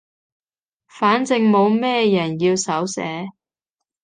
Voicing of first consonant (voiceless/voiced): voiceless